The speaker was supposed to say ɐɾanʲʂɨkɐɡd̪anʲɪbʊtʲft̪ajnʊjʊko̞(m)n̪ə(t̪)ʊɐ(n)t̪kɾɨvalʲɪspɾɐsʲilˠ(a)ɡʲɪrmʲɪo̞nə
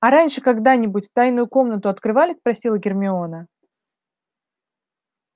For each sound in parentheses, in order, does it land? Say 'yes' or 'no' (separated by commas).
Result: yes, yes, no, no